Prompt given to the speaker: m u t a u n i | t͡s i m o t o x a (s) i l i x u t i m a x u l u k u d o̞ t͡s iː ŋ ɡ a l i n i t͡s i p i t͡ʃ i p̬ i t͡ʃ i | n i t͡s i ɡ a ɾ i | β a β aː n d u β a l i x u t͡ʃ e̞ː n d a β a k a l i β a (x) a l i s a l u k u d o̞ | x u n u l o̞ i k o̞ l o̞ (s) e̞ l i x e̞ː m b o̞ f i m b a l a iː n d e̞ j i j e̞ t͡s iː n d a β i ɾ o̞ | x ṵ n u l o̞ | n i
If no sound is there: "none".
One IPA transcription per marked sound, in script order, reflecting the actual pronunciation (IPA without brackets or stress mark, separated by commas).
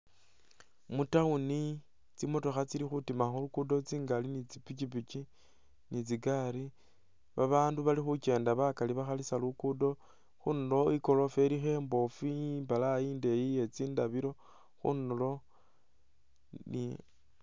t͡s, x, f